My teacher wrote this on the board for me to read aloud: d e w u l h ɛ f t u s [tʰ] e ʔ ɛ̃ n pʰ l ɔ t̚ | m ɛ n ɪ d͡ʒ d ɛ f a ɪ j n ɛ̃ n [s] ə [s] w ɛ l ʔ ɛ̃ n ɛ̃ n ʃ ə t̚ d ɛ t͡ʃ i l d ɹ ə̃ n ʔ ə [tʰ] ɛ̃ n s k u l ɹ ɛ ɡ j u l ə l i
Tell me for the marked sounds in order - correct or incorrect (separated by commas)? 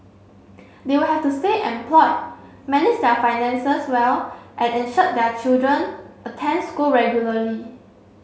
incorrect, correct, correct, correct